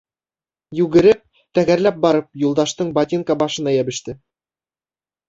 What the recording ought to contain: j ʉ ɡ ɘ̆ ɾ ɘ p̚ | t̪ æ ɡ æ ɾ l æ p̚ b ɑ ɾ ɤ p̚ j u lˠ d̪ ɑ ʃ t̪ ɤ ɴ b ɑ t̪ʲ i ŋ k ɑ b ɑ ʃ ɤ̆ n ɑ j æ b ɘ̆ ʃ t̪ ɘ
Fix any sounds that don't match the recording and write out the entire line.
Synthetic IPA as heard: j ʉ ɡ ɘ̆ ɾ ɘ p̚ | t̪ æ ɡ æ ɾ l æ p̚ b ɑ ɾ ɤ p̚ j u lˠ d̪ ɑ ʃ t̪ ɤ ɴ b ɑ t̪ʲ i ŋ k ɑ b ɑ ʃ ɤ̆ n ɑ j æ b ɘ̆ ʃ t̪ ɘ